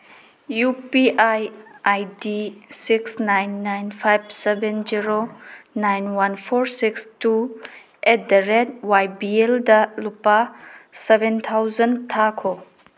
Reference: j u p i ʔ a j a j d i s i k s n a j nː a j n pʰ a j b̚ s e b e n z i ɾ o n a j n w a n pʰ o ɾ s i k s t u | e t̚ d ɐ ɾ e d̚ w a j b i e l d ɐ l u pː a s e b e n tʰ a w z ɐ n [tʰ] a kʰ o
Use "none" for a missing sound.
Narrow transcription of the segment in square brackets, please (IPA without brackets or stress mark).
tʰ